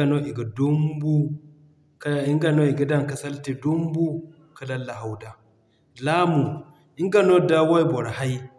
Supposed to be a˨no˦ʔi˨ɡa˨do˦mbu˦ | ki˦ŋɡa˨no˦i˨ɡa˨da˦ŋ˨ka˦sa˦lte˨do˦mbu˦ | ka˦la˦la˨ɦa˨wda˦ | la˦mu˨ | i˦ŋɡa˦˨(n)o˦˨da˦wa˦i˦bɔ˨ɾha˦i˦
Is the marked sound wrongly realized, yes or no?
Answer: no